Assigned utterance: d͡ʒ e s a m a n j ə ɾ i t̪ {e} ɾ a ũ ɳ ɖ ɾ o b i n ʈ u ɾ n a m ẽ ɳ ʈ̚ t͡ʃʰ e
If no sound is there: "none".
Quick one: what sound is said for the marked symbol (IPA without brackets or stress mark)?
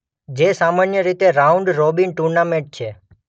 e